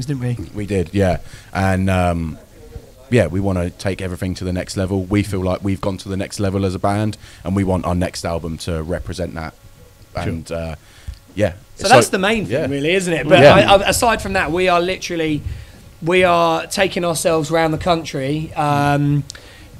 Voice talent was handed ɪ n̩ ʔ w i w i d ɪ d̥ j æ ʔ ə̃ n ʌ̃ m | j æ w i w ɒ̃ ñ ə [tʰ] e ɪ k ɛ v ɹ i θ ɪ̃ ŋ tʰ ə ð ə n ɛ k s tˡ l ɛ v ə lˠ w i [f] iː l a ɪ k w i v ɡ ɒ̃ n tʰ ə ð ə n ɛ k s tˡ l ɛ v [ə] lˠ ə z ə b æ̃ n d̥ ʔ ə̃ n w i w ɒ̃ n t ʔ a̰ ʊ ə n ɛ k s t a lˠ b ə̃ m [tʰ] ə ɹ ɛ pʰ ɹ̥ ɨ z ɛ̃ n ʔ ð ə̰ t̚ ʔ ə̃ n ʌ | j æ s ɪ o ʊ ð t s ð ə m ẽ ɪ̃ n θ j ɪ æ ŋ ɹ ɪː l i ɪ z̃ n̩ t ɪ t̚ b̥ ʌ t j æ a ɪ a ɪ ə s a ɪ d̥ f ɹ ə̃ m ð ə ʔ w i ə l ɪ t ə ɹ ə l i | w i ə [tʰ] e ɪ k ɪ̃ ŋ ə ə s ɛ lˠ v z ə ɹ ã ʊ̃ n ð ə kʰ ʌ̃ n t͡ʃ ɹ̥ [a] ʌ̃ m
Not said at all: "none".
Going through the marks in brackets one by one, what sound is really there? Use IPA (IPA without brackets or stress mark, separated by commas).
tʰ, f, ə, tʰ, tʰ, i